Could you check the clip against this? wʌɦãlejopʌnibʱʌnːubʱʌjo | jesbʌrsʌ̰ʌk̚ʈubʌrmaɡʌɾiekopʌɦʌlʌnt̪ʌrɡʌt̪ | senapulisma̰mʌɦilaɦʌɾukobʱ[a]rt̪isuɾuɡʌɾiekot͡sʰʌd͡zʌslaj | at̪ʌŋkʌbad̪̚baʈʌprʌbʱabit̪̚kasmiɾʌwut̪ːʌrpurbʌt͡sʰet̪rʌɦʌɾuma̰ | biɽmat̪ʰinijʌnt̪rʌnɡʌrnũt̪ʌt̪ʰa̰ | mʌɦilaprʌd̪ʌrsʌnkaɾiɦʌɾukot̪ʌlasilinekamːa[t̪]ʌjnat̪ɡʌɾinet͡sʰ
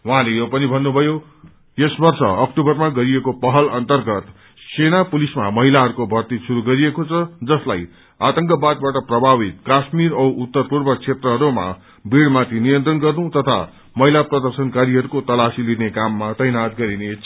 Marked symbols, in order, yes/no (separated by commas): no, yes